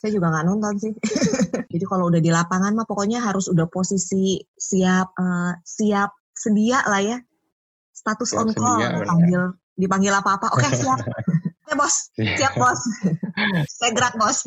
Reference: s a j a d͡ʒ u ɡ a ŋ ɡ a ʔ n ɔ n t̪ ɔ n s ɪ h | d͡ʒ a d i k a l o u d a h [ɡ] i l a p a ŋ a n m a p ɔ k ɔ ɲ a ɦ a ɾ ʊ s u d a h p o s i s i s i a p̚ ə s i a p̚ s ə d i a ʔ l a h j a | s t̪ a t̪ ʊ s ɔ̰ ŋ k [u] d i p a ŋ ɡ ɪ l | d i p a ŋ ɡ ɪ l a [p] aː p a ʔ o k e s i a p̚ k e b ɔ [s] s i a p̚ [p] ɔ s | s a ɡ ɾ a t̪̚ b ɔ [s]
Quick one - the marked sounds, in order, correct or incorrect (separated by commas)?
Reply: incorrect, incorrect, correct, correct, incorrect, correct